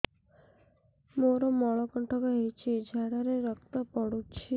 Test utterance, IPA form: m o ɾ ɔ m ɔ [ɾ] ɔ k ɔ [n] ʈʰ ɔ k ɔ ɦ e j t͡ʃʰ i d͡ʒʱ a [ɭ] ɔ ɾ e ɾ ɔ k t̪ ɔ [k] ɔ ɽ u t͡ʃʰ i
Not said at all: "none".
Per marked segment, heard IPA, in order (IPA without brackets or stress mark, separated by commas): ɭ, ɳ, ɽ, p